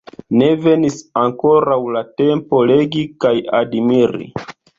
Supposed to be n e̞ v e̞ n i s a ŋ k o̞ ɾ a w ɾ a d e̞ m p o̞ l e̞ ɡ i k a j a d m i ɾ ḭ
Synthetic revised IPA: n e̞ v e̞ n i s a ŋ k o̞ ɾ a w l a t e̞ m p o̞ l e̞ ɡ i k a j a d m i ɾ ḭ